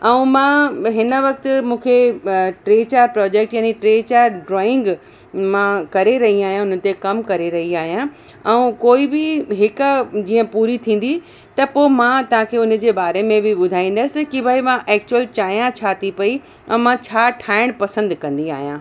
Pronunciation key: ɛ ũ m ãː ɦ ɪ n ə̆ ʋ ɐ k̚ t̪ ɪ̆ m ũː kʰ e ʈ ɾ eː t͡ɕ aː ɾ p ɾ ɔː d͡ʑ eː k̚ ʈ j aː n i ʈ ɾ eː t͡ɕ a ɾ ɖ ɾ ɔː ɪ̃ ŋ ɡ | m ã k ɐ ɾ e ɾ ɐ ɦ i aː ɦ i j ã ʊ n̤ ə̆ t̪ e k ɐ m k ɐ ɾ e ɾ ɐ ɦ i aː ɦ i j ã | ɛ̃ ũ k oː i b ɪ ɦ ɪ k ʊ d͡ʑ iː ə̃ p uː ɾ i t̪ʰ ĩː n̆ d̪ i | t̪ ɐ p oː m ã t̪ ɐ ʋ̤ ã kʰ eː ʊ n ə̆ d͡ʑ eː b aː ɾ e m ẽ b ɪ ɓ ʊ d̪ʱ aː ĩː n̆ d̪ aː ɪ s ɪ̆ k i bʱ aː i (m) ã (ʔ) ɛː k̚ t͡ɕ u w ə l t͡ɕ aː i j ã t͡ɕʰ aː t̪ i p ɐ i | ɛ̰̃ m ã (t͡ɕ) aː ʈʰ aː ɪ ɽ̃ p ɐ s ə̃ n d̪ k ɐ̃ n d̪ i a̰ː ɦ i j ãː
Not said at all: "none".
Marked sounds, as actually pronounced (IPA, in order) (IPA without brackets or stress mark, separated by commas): m, ʔ, t͡ɕʰ